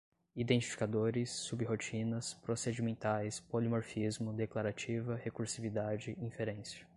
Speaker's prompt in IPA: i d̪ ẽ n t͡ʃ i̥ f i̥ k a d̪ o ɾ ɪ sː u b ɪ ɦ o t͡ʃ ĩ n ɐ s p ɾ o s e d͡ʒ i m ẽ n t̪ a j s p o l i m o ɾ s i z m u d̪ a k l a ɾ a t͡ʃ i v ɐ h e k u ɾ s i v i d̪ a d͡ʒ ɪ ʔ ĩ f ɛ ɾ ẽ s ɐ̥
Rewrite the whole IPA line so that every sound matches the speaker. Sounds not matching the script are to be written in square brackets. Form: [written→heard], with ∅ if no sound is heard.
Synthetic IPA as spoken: i d̪ ẽ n t͡ʃ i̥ f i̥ k a d̪ o ɾ ɪ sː u b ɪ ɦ o t͡ʃ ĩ n ɐ s p ɾ o s e d͡ʒ i m ẽ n t̪ a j s p o l i m o ɾ [s→f] i z m [u→ʊ] d̪ [a→e] k l a ɾ a t͡ʃ i v ɐ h e k u ɾ s i v i d̪ a d͡ʒ ɪ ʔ ĩ f [ɛ→e] ɾ ẽ s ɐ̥

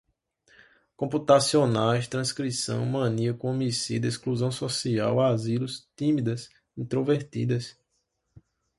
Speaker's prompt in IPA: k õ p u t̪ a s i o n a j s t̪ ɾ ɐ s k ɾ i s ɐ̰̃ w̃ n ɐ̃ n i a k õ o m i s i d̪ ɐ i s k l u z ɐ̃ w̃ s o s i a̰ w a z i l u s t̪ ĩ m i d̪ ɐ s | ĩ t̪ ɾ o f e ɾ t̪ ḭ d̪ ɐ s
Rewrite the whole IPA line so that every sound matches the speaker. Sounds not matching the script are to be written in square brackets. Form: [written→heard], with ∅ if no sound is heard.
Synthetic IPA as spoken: k õ p u t̪ a s i o n a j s t̪ ɾ [ɐ→ɐ̃] s k ɾ i s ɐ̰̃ w̃ [n→m] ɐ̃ n i [a→ɐ] k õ o m i s i d̪ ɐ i s k l u z ɐ̃ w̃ s o s i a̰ w a z i l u s t̪ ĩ m i d̪ ɐ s | ĩ t̪ ɾ o [f→v] e ɾ t̪ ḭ d̪ ɐ s

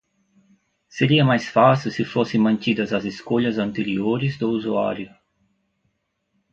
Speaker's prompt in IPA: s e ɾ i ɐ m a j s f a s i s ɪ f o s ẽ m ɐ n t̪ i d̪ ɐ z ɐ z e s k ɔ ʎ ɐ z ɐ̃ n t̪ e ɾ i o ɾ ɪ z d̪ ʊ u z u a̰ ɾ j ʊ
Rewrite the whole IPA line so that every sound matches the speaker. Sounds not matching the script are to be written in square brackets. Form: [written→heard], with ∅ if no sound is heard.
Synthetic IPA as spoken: s e ɾ i ɐ m a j s f a s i s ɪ f o s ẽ m [ɐ→ɐ̃] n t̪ i d̪ ɐ z ɐ z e s k [ɔ→o] ʎ ɐ z ɐ̃ n t̪ e ɾ i o ɾ ɪ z d̪ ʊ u z u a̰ ɾ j ʊ

